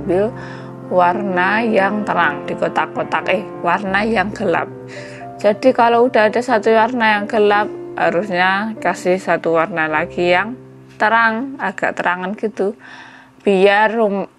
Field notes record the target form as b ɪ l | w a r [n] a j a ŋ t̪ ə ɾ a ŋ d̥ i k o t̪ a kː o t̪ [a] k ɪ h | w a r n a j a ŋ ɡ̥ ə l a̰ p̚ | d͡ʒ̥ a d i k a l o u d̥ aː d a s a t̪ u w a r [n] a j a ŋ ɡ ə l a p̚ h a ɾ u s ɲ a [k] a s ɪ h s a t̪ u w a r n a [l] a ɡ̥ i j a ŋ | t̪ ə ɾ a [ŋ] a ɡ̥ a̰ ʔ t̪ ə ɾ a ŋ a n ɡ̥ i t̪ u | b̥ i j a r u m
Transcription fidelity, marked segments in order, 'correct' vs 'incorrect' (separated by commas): correct, correct, correct, correct, correct, correct